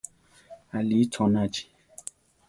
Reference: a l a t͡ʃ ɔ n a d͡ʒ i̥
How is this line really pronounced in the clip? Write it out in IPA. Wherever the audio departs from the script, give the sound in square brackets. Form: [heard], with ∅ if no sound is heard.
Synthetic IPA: a l [i] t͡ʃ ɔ n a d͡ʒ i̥